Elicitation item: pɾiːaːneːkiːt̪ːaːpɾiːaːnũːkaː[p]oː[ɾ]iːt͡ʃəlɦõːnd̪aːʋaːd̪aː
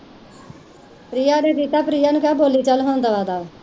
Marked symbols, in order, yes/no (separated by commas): no, no